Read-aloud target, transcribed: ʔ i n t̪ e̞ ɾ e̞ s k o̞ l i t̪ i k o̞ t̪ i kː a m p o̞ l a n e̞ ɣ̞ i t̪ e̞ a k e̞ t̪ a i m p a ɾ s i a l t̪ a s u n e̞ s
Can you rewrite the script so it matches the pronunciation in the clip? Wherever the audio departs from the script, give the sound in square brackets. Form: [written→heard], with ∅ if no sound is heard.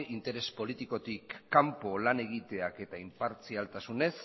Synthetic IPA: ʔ i n t̪ e̞ ɾ e̞ s [k→p] o̞ l i t̪ i k o̞ t̪ i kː a m p o̞ l a n e̞ ɣ̞ i t̪ e̞ a k e̞ t̪ a i m p a ɾ [s→t͡s] i a l t̪ a s u n e̞ s